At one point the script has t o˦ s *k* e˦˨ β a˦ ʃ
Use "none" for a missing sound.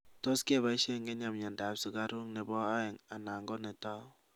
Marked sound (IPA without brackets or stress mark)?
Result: k